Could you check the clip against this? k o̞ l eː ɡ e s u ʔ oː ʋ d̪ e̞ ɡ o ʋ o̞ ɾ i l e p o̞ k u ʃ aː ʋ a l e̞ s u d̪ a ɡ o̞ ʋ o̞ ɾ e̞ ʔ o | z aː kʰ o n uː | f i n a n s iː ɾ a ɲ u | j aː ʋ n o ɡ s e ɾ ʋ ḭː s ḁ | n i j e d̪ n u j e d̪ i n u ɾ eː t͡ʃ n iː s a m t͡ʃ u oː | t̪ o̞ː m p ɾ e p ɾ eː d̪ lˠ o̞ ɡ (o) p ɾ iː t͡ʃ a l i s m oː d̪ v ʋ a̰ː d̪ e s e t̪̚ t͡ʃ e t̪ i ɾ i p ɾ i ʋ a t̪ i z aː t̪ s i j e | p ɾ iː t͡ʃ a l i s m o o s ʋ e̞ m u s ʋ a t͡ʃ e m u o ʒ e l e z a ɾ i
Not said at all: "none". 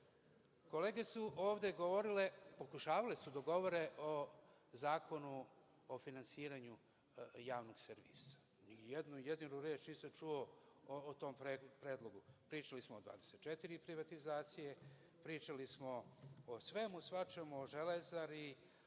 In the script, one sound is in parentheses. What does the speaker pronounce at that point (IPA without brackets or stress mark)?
u